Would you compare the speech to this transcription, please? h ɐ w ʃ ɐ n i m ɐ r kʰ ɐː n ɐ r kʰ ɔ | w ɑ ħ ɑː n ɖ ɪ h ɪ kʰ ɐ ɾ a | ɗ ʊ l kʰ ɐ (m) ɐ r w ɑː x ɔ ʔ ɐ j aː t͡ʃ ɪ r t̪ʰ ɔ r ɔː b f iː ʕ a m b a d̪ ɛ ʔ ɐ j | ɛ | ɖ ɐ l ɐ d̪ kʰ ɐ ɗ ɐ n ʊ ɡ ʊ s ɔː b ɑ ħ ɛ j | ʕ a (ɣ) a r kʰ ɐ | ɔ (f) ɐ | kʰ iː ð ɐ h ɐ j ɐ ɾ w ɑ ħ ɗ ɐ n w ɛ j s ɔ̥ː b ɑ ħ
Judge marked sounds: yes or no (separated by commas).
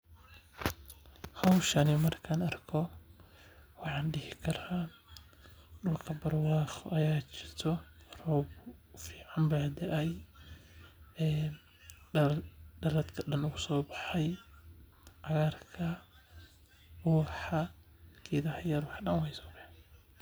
no, yes, no